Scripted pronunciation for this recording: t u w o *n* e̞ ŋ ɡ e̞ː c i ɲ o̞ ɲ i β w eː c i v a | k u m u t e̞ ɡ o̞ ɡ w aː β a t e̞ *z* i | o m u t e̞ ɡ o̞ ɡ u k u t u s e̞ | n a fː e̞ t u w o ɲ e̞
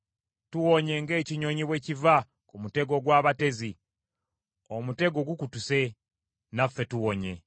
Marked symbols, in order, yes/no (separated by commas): no, yes